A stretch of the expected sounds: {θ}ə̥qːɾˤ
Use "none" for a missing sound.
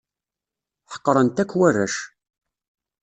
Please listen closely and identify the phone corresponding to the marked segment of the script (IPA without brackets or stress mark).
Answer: ħ